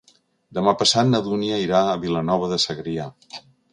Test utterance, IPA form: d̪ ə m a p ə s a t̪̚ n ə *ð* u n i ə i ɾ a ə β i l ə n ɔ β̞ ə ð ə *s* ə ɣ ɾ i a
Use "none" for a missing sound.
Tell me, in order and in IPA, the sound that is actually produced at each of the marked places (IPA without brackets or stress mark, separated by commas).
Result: ð, s